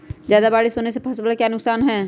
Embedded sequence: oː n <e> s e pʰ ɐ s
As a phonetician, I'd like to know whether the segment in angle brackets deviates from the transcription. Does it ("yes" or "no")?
no